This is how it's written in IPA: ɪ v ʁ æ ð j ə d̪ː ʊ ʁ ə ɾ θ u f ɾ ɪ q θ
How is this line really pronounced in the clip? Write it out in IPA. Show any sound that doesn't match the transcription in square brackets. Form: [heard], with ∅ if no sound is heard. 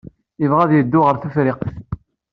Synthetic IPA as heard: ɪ v ʁ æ ð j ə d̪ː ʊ ʁ ə ɾ θ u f ɾ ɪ q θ